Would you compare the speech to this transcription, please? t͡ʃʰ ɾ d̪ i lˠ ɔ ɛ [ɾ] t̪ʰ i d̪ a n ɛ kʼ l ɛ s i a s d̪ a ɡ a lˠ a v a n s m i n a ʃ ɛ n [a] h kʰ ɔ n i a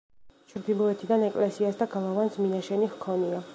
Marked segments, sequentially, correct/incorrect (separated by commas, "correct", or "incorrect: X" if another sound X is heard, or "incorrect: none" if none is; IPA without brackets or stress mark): incorrect: none, incorrect: i